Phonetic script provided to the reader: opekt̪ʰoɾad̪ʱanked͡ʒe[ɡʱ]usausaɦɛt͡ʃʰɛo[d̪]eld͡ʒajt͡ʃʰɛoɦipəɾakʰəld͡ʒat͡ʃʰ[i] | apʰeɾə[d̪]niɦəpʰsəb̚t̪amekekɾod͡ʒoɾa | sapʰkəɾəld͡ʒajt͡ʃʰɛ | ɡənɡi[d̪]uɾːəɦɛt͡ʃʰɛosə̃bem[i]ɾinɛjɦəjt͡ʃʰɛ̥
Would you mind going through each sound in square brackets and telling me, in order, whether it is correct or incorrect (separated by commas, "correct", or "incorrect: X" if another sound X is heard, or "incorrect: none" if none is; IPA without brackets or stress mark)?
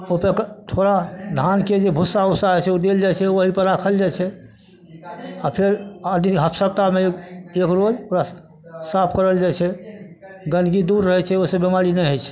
incorrect: bʱ, correct, incorrect: ɛ, correct, correct, incorrect: a